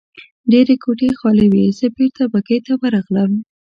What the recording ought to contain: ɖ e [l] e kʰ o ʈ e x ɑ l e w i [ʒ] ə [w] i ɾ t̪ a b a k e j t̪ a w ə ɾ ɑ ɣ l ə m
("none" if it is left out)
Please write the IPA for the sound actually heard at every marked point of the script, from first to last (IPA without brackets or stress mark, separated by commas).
ɾ, z, b